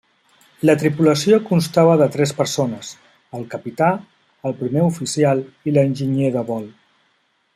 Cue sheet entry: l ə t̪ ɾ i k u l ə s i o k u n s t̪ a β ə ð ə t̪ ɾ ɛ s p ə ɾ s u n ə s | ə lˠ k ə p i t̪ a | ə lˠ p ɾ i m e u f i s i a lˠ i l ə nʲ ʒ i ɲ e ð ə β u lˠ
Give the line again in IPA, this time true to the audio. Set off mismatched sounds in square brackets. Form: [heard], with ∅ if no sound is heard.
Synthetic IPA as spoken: l ə t̪ ɾ i [p] u l ə s i o k u n s t̪ a β ə ð ə t̪ ɾ ɛ s p ə ɾ s [o] n ə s | ə lˠ k ə p i t̪ a | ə lˠ p ɾ i m e u f i s i a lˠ i l ə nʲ ʒ i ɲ e ð ə β [ɔ] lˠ